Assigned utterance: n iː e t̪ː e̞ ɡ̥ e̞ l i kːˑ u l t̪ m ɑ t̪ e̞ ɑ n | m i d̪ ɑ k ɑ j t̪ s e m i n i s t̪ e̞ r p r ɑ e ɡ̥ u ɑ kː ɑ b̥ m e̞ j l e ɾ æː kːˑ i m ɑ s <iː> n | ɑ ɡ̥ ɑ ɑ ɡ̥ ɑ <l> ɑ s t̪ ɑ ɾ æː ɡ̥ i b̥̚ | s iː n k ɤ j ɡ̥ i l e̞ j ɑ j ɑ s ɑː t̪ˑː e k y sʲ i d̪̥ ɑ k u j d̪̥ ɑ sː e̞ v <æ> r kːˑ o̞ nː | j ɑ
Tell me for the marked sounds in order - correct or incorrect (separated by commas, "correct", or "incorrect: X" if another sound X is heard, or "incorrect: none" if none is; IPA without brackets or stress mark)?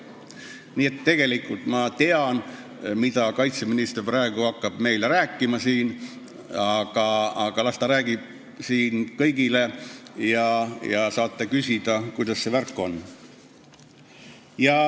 correct, correct, correct